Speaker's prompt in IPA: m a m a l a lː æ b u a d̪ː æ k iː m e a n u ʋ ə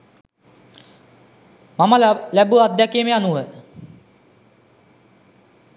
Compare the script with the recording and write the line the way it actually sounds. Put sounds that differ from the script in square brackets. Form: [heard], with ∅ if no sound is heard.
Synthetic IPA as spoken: m a m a l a [l] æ b u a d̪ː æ k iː m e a n u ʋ ə